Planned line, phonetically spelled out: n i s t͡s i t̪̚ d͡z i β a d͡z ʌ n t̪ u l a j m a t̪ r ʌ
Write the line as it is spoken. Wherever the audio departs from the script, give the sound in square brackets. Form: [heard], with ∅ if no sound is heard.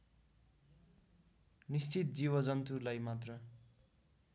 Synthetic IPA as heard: n i s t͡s i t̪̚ d͡z i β [ʌ] d͡z ʌ n t̪ u l a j m a t̪ r ʌ